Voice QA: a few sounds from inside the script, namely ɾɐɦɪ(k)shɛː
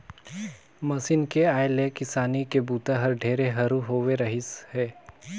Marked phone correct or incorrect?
incorrect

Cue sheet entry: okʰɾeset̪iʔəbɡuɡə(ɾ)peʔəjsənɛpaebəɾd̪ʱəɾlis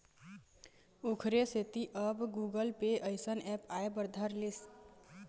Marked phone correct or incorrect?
incorrect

